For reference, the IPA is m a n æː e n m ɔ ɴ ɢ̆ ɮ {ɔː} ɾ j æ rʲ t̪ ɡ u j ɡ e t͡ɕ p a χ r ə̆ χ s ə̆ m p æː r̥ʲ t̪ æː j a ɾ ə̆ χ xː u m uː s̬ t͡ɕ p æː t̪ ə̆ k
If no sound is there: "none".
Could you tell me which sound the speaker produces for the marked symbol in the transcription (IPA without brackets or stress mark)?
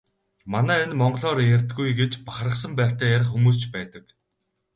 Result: ɔː